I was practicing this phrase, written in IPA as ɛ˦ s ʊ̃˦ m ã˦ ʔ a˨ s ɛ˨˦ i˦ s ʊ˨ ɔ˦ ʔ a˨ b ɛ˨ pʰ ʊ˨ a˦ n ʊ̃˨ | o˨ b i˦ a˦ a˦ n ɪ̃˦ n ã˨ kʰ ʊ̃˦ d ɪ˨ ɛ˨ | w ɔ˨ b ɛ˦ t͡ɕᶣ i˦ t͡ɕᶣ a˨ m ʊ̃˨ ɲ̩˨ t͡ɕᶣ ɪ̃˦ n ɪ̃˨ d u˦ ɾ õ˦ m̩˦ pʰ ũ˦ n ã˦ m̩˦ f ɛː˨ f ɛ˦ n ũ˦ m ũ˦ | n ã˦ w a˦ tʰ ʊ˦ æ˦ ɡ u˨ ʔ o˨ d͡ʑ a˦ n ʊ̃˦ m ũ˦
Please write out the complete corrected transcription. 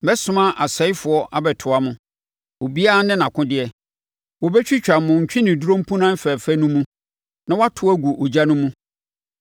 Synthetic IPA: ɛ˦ s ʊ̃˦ m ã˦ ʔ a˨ s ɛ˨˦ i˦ f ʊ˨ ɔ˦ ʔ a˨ b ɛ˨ tʰ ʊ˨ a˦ m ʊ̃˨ | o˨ b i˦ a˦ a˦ n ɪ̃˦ n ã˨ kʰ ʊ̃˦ d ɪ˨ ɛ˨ | w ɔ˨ b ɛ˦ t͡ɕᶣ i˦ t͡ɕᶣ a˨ m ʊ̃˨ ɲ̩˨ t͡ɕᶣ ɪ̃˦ n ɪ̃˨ d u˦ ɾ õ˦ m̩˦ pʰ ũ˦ n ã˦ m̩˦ f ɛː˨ f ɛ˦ n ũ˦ m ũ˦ | n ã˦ w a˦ tʰ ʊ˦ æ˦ ɡ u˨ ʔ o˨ d͡ʑ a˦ n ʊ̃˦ m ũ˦